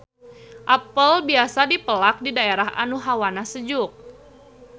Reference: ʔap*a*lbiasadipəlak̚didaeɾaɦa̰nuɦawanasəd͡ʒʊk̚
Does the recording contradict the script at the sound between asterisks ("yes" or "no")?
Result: yes